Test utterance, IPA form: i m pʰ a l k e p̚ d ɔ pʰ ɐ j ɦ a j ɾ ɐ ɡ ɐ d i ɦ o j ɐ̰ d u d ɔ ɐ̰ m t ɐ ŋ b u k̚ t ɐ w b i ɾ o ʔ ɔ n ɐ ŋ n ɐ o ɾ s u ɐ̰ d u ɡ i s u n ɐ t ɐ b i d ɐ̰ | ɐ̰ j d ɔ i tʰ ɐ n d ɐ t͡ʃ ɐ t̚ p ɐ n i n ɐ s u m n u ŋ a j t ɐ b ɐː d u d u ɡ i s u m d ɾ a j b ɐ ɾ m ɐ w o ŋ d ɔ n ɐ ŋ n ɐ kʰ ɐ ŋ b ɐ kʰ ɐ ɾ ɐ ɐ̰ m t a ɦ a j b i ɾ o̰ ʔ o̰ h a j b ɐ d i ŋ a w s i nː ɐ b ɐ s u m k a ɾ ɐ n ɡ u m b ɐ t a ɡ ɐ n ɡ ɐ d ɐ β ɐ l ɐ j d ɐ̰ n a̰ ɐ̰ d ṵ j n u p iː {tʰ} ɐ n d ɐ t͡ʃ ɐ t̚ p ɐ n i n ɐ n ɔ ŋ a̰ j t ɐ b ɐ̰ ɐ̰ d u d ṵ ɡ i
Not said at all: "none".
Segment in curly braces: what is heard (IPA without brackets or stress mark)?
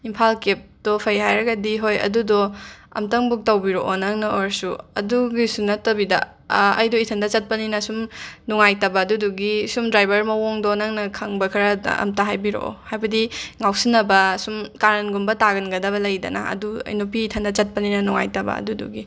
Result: tʰ